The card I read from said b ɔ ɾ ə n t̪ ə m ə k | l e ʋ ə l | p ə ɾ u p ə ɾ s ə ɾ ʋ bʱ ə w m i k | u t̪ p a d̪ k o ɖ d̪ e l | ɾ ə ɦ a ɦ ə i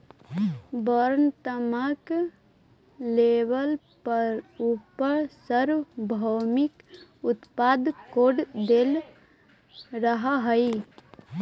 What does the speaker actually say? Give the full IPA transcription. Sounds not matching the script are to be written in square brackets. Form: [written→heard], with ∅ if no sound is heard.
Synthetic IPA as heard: b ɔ ɾ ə n t̪ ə m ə k | l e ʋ ə l | p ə ɾ u p ə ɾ s ə ɾ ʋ bʱ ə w m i k | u t̪ p a d̪ k o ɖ d̪ e l | ɾ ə ɦ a ɦ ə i